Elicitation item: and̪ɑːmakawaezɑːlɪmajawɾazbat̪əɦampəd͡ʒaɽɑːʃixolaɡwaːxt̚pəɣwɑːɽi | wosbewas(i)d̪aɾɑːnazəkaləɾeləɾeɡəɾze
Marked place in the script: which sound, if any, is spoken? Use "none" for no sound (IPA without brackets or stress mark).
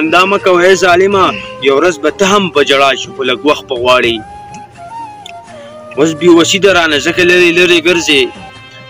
i